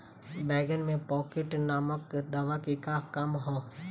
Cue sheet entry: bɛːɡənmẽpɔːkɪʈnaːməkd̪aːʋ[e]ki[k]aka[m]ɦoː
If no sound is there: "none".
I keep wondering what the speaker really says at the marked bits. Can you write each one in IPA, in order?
a, k, m

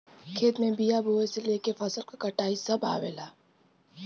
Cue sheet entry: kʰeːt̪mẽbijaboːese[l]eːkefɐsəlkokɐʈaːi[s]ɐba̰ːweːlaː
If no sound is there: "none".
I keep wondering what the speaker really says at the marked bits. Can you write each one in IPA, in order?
l, s

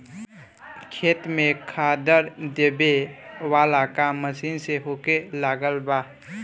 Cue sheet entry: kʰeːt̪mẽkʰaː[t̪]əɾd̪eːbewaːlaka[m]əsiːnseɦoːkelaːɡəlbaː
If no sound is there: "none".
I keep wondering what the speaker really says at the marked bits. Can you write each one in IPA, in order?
d̪, m

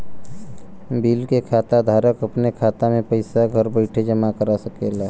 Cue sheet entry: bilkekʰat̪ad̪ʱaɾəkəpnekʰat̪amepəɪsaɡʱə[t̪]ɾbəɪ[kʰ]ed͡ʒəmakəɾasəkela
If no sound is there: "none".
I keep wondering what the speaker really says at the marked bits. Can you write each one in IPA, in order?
none, ʈʰ

